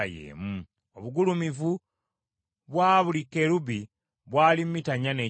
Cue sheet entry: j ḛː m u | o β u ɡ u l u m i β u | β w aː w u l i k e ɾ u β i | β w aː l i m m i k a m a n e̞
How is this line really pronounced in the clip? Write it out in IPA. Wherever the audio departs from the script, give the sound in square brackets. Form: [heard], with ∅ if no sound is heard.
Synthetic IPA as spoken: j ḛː m u | o β u ɡ u l u m i [v] u | β w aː [β] u l i k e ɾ u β i | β w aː l i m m i [t] a [ɲ] a n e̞